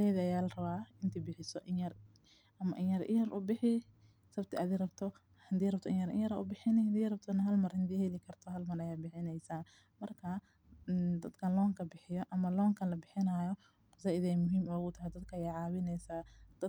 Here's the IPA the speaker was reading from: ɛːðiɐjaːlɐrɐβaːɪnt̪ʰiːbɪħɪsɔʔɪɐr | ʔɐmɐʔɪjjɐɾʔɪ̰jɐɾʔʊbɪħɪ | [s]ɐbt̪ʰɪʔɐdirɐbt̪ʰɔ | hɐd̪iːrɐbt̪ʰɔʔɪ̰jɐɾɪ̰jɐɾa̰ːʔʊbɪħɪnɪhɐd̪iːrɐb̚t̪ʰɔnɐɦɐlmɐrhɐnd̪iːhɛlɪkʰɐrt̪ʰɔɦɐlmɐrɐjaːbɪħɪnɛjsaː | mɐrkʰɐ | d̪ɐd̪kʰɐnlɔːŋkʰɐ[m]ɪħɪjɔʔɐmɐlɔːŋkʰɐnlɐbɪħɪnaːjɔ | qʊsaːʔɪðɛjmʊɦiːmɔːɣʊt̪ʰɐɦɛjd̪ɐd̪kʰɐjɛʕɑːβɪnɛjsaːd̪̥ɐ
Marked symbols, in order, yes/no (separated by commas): yes, no